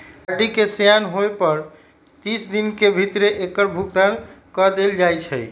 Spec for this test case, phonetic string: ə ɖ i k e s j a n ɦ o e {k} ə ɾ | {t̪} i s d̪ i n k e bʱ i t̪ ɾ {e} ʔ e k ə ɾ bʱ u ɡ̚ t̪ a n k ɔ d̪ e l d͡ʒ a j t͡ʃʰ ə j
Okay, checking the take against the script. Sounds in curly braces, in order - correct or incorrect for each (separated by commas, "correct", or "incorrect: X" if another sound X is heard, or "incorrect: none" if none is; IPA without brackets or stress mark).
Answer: incorrect: p, correct, correct